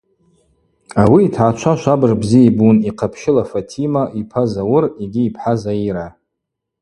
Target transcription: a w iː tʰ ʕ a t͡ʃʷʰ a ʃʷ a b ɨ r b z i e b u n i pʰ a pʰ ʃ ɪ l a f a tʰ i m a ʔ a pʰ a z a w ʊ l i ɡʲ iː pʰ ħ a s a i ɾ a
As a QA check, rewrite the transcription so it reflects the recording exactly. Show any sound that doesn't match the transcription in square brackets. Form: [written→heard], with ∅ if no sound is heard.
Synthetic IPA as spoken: a w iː tʰ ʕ a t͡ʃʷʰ a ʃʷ a b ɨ r b z i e b u n i [pʰ→qʰ] a pʰ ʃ ɪ l a f a tʰ i m a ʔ [a→i] pʰ a z a w ʊ [l→r] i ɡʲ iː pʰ ħ a [s→z] a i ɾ a